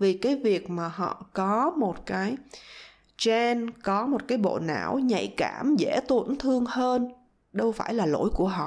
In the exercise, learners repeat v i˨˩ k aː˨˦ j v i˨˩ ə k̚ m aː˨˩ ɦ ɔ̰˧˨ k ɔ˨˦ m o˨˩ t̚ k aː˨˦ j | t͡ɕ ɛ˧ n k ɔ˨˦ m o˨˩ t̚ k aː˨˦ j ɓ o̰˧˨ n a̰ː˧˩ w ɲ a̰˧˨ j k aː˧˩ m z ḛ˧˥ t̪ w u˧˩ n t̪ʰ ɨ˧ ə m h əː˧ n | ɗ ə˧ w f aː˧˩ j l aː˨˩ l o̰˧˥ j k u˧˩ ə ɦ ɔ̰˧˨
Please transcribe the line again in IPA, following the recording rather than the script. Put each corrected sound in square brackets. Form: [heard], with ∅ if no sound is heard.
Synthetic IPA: v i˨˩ k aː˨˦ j v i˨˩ ə k̚ m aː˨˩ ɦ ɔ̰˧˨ k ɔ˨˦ m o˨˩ t̚ k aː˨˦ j | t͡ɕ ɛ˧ n k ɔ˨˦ m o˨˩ t̚ k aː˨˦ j ɓ o̰˧˨ n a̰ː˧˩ w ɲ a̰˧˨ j k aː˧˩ m z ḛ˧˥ t̪ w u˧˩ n t̪ʰ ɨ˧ ə [ŋ] h əː˧ n | ɗ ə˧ w f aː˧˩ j l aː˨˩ l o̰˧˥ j k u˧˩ ə ɦ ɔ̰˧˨